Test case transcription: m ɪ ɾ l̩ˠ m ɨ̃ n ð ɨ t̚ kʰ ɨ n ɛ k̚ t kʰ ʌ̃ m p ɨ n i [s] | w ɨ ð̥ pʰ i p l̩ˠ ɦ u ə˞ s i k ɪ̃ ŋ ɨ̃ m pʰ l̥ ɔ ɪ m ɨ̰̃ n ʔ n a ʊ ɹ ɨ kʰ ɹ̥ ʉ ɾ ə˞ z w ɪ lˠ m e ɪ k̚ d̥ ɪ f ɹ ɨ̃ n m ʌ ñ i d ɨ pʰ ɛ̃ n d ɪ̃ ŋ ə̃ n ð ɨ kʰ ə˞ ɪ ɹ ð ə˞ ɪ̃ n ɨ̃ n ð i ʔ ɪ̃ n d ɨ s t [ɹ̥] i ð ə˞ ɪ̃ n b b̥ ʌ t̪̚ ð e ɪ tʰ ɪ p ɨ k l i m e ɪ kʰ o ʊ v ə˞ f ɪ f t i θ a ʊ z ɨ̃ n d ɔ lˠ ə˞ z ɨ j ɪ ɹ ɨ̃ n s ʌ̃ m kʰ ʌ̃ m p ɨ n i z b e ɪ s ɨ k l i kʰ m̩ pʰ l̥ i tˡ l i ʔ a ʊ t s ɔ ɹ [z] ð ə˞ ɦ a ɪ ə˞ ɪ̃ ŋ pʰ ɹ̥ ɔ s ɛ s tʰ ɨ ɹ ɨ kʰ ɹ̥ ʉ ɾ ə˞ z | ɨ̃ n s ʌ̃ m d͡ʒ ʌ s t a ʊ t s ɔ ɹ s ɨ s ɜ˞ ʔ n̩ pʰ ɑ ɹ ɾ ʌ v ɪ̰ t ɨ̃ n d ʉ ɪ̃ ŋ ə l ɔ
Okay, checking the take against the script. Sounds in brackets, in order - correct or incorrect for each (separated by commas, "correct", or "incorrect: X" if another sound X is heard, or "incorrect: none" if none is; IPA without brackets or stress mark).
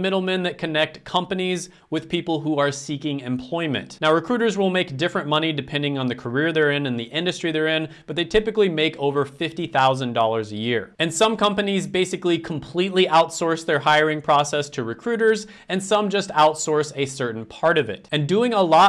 incorrect: z, correct, incorrect: s